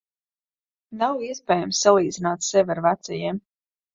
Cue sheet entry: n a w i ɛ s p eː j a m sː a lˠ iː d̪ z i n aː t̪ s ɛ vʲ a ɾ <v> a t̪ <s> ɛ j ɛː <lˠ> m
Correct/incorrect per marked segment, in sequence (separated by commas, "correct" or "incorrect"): correct, correct, incorrect